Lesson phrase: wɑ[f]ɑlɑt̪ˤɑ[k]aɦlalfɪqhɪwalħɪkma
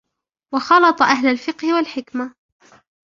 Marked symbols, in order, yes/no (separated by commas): no, no